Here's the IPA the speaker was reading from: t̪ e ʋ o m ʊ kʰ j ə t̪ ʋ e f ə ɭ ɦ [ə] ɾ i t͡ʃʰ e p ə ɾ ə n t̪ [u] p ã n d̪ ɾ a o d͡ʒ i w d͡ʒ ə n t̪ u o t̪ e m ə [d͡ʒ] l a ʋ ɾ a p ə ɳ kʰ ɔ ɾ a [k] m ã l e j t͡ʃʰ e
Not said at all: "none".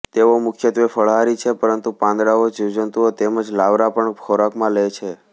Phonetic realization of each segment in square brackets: a, u, d͡ʒ, k

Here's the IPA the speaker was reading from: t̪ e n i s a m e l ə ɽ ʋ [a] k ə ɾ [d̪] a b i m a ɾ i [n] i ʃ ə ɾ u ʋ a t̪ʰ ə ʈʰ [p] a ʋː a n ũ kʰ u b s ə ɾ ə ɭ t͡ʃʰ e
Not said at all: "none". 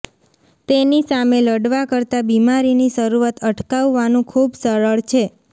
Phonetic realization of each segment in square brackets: a, t̪, n, k

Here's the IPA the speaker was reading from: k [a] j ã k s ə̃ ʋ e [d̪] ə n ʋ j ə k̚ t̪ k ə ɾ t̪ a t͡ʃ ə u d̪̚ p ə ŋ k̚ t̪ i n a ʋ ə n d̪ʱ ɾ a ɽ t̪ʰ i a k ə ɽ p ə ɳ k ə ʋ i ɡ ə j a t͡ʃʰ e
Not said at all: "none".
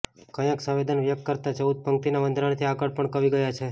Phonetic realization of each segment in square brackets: ə, d̪

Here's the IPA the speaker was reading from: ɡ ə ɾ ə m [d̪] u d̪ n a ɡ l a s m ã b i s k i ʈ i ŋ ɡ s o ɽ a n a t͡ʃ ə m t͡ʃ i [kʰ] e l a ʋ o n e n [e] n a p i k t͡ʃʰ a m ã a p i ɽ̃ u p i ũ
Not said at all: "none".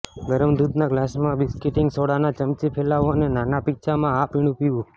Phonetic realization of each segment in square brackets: d̪, pʰ, a

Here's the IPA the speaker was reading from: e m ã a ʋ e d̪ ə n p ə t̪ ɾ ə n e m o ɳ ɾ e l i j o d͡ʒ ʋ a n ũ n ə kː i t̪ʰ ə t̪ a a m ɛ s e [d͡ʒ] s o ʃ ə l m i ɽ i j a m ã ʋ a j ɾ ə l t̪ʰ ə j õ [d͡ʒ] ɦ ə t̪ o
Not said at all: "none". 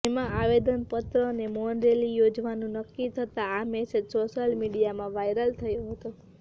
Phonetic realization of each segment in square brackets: d͡ʒ, none

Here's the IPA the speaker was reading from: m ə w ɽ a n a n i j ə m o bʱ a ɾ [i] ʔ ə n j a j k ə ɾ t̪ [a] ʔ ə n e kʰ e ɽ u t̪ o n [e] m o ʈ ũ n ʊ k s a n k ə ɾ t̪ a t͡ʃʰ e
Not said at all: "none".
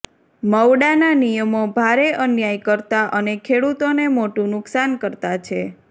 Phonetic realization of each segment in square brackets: e, a, e

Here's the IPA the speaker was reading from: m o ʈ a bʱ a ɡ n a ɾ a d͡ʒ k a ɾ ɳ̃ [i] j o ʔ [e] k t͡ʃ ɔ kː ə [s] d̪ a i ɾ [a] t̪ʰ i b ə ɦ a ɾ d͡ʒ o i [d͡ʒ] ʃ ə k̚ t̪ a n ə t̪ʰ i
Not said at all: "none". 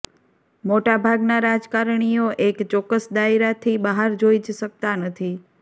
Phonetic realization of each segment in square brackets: i, e, s, a, d͡ʒ

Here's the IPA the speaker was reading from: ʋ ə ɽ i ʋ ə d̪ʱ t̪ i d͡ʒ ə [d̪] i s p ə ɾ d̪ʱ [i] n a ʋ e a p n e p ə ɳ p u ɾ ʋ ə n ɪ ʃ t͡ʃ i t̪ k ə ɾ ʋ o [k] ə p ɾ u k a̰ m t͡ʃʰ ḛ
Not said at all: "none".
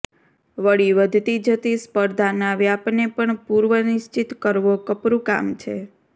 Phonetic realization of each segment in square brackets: t̪, a, k

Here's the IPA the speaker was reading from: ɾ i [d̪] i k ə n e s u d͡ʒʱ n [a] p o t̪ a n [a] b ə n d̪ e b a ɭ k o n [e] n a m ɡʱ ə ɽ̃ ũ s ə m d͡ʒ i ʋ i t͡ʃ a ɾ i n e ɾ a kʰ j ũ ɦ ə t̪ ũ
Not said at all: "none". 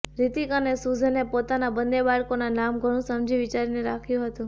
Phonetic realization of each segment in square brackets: t̪, e, a, a

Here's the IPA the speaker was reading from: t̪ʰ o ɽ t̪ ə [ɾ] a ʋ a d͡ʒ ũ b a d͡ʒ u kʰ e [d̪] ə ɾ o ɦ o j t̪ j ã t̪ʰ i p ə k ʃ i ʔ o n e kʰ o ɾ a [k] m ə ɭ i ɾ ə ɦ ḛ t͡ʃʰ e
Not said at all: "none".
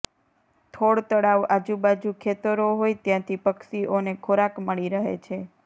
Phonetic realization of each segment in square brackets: ɽ, t̪, k

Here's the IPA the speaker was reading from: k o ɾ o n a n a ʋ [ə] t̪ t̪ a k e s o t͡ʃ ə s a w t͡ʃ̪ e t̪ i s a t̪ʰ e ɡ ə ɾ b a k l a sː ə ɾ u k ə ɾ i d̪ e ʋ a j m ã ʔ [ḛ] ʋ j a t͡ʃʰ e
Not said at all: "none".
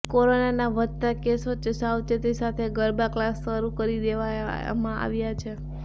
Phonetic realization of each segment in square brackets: ə, a̰

